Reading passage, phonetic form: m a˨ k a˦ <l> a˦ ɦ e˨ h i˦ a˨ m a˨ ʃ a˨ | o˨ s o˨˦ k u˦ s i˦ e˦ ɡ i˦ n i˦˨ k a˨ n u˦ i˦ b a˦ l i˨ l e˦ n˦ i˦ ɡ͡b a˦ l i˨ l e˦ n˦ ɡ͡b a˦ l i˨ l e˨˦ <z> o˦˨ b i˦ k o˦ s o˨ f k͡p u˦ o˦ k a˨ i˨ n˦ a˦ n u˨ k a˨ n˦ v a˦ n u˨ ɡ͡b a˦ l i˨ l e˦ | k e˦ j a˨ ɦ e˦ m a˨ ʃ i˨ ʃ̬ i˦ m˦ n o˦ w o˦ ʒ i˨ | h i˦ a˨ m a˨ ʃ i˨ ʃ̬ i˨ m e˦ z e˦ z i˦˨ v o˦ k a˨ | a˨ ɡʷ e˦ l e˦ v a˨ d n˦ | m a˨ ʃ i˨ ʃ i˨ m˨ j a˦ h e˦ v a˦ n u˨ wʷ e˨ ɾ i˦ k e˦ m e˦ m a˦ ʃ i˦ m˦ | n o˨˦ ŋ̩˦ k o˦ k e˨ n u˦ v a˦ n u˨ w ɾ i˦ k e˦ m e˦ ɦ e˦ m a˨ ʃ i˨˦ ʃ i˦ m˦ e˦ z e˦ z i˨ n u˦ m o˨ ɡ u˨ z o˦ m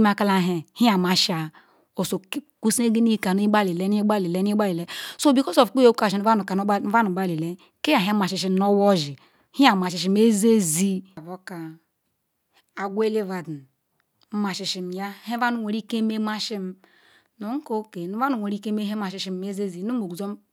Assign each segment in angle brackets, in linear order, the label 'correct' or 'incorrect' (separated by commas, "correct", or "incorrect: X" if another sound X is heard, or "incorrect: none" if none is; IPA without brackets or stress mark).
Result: correct, incorrect: s